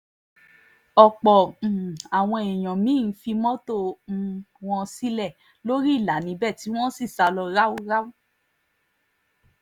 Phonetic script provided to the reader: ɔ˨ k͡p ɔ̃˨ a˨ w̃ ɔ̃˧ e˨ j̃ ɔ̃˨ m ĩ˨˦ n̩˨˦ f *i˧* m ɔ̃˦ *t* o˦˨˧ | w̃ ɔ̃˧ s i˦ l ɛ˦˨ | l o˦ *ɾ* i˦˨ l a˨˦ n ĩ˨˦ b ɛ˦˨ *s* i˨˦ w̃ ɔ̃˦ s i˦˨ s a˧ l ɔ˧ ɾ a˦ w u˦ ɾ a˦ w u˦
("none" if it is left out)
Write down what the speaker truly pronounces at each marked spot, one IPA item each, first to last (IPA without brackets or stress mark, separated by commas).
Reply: i˧, t, ɾ, t